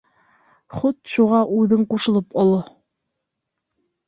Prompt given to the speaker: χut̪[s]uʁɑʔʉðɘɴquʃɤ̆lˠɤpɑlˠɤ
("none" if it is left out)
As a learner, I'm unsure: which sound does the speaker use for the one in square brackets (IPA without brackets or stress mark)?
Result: ʃ